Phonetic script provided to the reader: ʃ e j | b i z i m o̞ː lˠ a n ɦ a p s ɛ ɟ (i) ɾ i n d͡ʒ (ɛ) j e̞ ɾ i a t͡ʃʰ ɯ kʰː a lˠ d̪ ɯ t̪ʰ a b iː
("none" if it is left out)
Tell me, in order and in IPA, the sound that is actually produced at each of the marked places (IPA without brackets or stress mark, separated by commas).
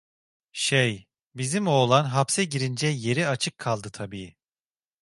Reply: i, ɛ